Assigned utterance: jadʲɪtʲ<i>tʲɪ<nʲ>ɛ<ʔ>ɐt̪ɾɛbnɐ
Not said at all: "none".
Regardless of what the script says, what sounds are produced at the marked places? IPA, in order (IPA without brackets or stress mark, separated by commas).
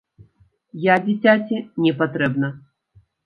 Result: a, nʲ, p